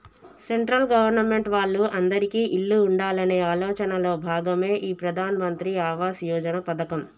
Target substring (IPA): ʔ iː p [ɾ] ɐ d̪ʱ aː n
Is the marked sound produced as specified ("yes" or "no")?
yes